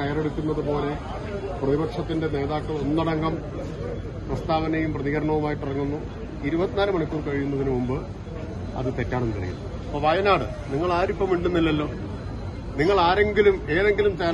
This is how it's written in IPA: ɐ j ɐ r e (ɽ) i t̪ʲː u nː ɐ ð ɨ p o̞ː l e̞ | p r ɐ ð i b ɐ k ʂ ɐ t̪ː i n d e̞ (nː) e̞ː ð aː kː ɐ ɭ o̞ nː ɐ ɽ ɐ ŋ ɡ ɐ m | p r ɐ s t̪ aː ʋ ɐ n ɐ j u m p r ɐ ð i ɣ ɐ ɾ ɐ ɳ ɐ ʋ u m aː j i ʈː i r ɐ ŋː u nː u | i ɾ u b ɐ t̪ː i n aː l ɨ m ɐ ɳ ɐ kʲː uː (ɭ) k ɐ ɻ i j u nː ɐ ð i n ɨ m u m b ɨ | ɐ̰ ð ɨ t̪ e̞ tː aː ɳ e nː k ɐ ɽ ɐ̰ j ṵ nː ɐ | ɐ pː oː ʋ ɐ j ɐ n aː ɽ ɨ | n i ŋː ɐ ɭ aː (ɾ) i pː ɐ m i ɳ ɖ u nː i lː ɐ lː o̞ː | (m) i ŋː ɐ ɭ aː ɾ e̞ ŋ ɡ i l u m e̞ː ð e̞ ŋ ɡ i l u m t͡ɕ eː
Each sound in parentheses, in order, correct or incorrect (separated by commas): correct, incorrect, incorrect, correct, incorrect